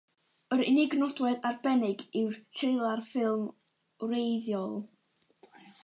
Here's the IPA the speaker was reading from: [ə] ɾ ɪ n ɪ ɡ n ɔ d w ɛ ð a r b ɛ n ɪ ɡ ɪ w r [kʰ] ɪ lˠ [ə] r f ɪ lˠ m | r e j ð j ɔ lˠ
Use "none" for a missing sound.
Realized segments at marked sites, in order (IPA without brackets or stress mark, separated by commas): ə, tʰ, a